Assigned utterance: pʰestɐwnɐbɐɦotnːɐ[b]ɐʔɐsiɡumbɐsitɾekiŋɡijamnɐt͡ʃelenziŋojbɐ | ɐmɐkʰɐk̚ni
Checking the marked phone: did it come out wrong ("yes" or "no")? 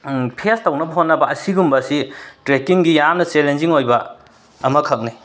no